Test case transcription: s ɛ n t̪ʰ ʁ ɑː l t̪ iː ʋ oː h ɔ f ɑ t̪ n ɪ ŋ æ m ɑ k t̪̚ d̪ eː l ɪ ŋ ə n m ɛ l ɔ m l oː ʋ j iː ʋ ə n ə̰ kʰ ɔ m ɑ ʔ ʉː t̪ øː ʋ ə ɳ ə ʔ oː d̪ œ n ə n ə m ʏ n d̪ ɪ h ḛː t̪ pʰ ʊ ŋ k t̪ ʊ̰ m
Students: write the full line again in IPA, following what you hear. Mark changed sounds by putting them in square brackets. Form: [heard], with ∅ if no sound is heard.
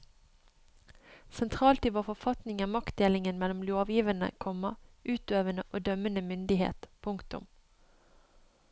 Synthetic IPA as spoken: s ɛ n t̪ʰ ʁ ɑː l t̪ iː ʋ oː [f] ɔ f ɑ t̪ n ɪ ŋ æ m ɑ k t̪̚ d̪ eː l ɪ ŋ ə n m ɛ l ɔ m l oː ʋ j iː ʋ ə n ə̰ kʰ ɔ m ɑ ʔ ʉː t̪ øː ʋ ə [n] ə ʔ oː d̪ œ [m] ə n ə m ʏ n d̪ ɪ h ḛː t̪ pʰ ʊ ŋ k t̪ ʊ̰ m